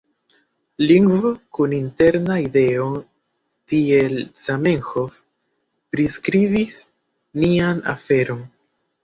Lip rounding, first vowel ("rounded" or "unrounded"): unrounded